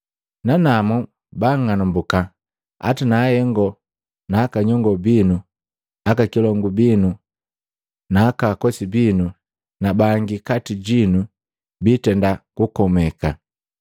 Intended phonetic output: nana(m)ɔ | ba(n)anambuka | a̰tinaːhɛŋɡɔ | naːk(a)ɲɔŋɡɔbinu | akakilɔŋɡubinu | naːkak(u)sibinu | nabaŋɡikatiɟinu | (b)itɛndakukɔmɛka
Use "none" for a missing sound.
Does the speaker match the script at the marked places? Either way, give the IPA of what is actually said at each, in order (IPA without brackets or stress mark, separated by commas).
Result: m, ŋ, a, ɔ, b